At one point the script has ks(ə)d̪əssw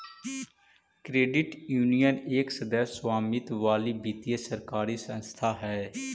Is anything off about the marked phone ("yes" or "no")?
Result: no